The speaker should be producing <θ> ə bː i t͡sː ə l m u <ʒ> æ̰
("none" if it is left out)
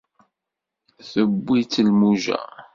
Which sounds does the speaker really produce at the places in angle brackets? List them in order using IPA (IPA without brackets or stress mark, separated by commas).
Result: θ, ʒ